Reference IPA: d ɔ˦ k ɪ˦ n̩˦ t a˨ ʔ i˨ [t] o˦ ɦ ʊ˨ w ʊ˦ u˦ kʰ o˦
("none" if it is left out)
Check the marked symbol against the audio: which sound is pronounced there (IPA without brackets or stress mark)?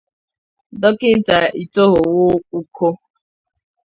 t